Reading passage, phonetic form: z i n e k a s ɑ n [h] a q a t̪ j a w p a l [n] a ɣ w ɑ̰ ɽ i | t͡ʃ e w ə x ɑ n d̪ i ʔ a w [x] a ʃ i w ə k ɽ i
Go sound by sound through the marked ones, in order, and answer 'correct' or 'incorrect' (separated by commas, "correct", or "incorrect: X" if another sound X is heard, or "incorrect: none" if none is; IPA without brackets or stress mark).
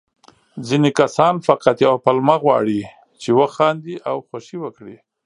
incorrect: f, incorrect: m, correct